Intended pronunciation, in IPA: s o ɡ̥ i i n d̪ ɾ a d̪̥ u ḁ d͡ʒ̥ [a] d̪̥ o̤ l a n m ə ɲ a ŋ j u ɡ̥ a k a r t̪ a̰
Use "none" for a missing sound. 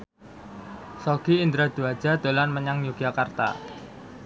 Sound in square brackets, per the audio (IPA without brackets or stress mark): a